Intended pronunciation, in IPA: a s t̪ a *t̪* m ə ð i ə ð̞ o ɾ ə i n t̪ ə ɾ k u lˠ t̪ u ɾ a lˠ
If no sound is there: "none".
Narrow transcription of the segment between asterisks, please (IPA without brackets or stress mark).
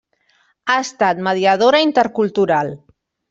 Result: t̪